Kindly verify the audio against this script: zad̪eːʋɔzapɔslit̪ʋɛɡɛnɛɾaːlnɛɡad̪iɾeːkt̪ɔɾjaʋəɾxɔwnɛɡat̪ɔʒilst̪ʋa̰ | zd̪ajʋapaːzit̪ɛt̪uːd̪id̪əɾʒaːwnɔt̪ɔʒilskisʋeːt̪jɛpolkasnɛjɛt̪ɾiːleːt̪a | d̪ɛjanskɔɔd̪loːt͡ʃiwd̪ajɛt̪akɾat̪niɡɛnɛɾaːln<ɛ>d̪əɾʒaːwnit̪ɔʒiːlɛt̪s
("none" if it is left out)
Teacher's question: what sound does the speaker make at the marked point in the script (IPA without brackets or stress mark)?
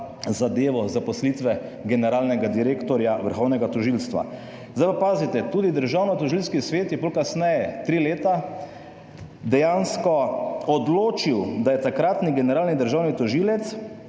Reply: i